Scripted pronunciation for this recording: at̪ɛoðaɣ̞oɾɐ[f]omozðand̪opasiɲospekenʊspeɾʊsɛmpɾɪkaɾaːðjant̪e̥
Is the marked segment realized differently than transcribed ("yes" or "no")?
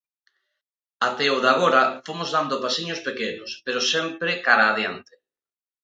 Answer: no